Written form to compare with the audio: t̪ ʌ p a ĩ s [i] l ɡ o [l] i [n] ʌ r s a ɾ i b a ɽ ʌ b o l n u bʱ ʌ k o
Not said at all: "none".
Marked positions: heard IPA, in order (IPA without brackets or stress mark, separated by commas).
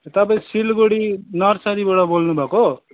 i, ɽ, n